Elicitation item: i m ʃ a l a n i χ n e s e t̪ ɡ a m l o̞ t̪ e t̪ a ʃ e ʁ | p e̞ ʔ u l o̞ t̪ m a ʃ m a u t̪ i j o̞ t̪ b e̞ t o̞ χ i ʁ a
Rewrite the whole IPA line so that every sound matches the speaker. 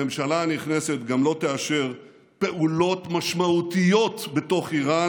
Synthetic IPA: e m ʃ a l a n i χ n e s e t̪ ɡ a m l o̞ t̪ e a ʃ e ʁ | p e̞ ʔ u l o̞ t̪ m a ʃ m a u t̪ i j o̞ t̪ b e̞ t o̞ χ i ʁ a